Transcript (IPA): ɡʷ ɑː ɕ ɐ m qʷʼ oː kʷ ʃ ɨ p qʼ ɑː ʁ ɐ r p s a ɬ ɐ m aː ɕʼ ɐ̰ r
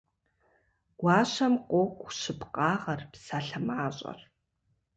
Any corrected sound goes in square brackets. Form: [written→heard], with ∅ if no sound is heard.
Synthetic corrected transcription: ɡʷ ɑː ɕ ɐ m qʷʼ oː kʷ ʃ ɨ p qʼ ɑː ʁ ɐ r p s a ɬ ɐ m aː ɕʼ ɐ̰ r